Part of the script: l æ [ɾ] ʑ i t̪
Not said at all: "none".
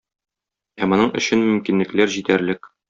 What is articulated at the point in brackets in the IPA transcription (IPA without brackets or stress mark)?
ɾ